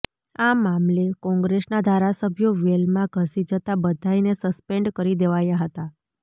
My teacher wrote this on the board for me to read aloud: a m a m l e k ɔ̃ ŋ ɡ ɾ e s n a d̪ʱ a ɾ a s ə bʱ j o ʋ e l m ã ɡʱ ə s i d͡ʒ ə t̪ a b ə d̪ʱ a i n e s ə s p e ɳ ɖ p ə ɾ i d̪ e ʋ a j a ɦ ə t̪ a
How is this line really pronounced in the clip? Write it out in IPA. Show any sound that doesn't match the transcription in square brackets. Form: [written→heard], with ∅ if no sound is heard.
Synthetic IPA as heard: a m a m l e k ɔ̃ ŋ ɡ ɾ e s n a d̪ʱ a ɾ a s ə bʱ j o ʋ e l m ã ɡʱ ə s i d͡ʒ ə t̪ a b ə d̪ʱ a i n e s ə s p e ɳ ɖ [p→k] ə ɾ i d̪ e ʋ a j a ɦ ə t̪ a